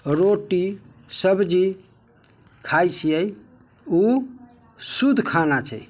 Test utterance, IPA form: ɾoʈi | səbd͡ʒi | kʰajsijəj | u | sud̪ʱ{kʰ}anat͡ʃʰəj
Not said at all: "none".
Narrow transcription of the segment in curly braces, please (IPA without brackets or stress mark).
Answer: kʰ